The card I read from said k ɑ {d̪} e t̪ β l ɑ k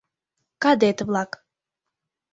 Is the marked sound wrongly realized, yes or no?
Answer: no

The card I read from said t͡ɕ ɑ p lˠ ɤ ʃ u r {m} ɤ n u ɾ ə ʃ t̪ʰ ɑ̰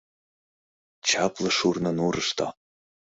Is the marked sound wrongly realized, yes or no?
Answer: yes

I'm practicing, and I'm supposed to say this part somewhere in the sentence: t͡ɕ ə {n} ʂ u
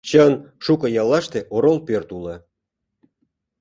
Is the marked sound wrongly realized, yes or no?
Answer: no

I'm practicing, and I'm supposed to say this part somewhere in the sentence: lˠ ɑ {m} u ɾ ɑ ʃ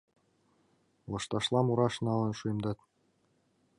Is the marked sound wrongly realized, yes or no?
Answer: no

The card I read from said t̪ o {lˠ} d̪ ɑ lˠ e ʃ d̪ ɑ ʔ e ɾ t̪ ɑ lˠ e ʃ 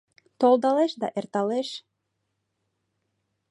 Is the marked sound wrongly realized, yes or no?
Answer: no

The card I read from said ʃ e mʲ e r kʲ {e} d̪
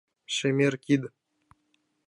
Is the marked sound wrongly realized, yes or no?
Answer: yes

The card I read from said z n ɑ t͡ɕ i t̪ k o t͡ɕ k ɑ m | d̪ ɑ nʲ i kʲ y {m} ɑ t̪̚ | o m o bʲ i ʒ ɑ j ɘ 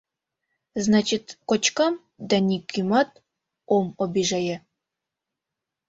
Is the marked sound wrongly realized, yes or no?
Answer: no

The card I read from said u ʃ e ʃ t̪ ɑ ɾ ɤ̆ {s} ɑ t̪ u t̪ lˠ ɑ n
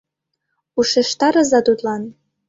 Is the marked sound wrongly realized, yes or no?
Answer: yes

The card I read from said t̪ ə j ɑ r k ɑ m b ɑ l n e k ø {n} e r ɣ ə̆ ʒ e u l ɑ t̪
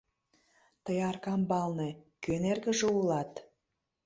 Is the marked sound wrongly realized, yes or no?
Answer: no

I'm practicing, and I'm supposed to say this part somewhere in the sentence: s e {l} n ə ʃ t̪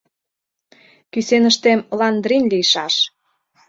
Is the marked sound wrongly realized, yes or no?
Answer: yes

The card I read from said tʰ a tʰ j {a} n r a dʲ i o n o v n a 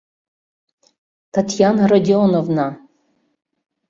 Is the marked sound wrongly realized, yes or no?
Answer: no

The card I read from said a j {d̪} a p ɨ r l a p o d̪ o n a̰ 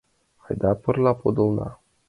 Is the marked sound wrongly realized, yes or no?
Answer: no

